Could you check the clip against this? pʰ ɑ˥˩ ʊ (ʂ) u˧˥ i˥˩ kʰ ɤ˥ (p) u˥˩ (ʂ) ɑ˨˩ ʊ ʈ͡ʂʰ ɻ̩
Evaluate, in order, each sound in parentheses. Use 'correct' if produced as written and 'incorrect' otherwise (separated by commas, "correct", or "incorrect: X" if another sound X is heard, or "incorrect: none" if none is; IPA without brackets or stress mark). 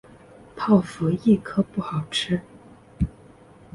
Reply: incorrect: f, correct, incorrect: x